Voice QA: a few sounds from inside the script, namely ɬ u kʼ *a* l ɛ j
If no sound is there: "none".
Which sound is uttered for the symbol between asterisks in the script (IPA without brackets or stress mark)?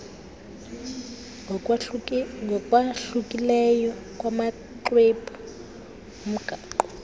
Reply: i